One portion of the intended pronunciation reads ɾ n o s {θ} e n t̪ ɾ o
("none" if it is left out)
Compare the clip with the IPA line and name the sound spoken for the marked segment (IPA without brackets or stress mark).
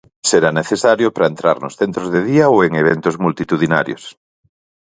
θ